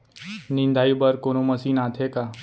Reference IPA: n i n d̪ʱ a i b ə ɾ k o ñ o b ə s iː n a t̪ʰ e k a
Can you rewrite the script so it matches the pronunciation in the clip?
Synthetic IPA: n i n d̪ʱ a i b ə ɾ k o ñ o m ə s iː n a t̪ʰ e k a